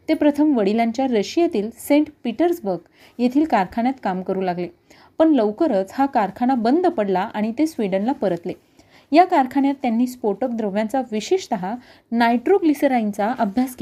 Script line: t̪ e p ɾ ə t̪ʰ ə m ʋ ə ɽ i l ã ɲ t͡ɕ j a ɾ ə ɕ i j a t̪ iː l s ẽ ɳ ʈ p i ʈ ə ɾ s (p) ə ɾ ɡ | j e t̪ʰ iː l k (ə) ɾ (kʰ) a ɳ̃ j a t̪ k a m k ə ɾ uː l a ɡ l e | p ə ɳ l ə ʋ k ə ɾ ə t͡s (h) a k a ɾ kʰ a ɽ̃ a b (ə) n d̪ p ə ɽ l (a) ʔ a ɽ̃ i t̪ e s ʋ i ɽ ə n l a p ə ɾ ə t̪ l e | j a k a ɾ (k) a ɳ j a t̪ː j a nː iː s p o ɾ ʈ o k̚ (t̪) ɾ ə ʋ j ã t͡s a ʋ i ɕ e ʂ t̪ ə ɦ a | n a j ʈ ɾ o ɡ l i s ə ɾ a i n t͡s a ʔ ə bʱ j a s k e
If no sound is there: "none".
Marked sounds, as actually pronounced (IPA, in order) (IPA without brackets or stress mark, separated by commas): b, a, kʰ, h, ə, a, kʰ, d̪